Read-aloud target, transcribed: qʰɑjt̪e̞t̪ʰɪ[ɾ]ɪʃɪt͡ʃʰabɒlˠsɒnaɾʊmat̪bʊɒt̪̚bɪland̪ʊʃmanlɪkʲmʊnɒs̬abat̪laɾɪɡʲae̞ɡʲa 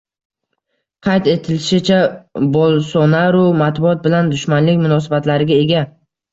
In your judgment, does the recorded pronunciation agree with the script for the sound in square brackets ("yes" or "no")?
no